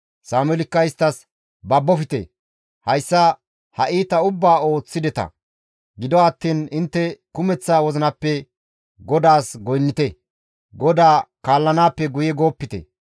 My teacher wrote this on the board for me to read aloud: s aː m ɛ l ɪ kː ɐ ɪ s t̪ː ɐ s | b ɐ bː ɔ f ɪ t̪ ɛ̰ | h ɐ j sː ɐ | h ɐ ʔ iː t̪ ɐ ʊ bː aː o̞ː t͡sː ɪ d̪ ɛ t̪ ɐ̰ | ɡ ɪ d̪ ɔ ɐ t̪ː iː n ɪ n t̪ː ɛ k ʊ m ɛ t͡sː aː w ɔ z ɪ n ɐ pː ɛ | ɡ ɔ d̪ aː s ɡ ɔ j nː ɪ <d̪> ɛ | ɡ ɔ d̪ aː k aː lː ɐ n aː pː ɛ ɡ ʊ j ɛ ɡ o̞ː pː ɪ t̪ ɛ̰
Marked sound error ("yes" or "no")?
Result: yes